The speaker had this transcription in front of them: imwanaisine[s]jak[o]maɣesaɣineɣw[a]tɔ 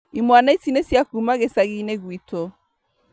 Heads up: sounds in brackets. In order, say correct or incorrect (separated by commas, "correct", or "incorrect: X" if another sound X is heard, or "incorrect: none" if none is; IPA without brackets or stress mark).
correct, incorrect: u, incorrect: i